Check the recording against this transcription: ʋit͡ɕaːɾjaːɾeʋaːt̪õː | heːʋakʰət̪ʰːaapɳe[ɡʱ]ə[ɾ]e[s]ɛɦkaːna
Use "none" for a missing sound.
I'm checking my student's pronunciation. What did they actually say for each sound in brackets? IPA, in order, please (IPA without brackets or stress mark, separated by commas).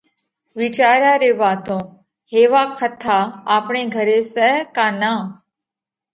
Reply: ɡʱ, ɾ, s